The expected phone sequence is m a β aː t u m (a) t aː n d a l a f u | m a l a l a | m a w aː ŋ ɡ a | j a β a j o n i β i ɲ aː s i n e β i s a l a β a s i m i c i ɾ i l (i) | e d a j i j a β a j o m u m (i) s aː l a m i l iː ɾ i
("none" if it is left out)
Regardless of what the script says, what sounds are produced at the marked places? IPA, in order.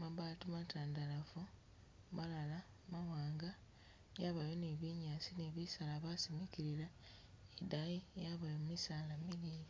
a, a, i

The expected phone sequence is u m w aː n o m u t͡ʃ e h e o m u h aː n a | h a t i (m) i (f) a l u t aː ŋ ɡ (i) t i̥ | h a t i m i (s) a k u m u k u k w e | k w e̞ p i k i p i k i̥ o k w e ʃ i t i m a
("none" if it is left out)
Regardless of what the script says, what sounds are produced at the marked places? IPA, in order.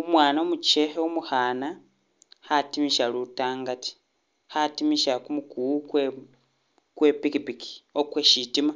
m, ʃ, a, ʃ

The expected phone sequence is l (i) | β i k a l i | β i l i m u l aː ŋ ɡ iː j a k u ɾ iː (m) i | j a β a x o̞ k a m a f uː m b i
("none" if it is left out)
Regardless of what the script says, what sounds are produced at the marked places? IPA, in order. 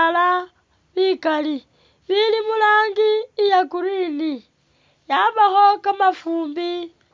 a, n

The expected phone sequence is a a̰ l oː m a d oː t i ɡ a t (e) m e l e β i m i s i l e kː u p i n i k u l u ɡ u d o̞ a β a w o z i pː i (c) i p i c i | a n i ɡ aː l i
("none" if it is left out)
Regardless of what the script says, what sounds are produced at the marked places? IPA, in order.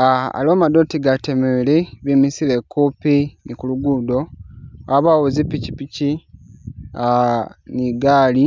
e, c

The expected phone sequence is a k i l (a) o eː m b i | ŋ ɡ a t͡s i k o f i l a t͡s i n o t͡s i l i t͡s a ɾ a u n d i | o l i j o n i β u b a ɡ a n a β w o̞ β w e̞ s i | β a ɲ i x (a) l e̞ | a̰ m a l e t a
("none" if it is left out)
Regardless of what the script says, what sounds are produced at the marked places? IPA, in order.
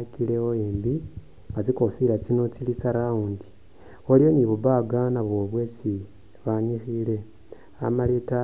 e, i

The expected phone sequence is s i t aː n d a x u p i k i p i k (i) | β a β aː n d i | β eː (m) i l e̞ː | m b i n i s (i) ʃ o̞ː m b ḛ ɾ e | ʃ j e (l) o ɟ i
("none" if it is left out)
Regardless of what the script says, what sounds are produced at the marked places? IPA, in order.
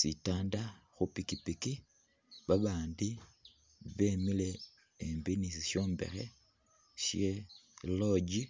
i, m, i, l

